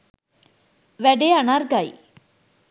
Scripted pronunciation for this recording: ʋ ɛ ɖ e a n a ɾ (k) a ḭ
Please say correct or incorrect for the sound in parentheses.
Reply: incorrect